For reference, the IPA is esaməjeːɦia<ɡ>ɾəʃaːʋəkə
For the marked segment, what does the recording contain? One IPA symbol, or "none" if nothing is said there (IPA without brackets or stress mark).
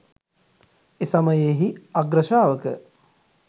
ɡ